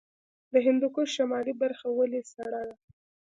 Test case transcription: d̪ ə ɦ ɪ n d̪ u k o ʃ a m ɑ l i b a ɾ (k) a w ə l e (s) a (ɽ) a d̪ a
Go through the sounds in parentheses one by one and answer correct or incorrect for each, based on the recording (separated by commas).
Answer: incorrect, correct, correct